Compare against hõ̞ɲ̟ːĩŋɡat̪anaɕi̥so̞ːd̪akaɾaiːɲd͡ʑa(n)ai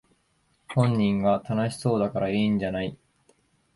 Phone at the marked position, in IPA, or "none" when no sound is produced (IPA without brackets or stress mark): n